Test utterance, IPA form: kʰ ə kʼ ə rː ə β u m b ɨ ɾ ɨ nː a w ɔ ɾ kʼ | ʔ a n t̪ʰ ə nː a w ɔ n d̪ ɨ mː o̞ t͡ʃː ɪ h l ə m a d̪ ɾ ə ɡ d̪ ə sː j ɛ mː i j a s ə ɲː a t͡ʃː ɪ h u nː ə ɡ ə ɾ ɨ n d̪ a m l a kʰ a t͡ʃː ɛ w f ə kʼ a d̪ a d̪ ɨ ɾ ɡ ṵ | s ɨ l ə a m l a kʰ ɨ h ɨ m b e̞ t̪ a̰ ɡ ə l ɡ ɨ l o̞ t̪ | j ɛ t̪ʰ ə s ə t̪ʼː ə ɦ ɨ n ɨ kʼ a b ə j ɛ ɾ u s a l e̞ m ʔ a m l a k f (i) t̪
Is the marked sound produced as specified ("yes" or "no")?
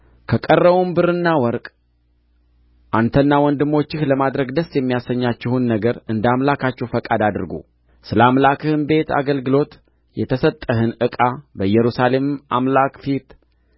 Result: yes